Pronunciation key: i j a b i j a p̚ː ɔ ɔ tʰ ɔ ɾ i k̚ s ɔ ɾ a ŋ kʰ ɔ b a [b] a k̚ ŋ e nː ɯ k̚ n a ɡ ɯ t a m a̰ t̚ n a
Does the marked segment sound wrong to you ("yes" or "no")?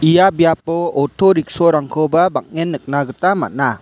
no